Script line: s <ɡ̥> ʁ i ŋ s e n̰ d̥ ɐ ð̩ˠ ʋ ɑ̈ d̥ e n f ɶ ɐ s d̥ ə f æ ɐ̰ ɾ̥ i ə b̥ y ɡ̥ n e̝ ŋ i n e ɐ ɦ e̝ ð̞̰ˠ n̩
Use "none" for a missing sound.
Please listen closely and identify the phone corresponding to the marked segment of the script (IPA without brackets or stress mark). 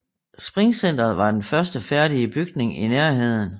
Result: b̥